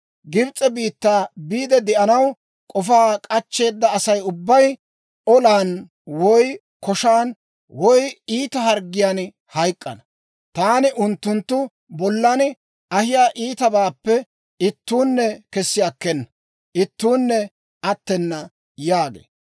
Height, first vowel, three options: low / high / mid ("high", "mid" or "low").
high